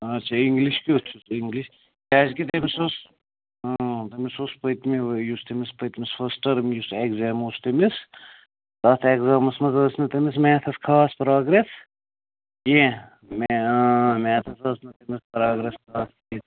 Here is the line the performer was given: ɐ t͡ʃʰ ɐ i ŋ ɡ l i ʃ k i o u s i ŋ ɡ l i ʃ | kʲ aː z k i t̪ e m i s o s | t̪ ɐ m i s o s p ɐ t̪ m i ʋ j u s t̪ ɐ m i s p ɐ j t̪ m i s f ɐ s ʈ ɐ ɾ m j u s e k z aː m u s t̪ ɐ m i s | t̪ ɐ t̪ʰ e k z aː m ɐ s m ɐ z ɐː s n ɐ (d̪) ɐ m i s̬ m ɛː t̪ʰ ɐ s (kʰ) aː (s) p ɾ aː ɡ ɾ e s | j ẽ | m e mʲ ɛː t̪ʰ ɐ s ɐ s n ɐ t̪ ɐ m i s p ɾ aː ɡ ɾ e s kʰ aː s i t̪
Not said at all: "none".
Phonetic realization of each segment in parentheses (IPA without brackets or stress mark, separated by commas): t̪, kʰ, s